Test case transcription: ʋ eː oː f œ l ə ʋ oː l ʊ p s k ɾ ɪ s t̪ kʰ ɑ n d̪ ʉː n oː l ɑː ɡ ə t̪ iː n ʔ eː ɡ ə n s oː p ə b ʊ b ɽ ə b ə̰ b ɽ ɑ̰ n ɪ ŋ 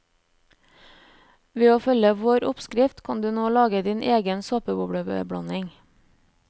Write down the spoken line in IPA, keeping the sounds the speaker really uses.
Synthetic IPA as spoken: ʋ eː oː f œ l ə ʋ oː ɾ ʊ p s k ɾ ɪ f t̪ kʰ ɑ n d̪ ʉː n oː l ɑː ɡ ə d̪ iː n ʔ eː ɡ ə n s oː p ə b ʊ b ɽ ə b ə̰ b ɽ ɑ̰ n ɪ ŋ